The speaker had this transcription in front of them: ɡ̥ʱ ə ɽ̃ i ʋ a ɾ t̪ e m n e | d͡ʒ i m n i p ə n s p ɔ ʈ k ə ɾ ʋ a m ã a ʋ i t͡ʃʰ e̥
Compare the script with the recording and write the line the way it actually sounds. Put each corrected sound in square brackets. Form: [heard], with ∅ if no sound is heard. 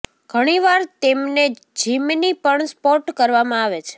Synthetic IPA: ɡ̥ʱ ə ɽ̃ i ʋ a ɾ t̪ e m n e | d͡ʒ i m n i p ə [ɳ] s p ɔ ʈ k ə ɾ ʋ a m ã a ʋ [e] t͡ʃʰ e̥